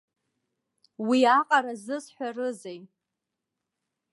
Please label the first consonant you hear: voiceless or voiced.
voiced